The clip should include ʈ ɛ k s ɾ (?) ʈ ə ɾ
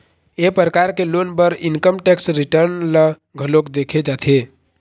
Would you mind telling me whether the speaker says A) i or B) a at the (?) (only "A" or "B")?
A